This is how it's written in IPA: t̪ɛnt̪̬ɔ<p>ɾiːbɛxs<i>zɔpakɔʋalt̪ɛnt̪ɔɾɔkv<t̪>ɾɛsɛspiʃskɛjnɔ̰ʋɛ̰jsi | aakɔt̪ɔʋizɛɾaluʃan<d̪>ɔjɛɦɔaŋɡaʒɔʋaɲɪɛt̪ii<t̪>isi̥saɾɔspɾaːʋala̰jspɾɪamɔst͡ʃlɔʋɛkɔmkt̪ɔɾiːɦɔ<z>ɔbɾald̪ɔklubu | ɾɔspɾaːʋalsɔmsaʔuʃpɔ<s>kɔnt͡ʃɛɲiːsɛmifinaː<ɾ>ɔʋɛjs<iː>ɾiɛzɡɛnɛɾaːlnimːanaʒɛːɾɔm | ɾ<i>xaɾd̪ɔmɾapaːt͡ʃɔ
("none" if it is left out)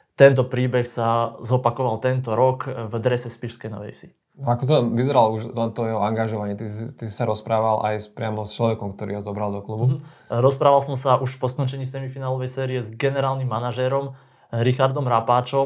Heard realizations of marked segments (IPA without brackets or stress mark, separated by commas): p, a, d̪, t̪, t̪, z, s, l, ɛː, i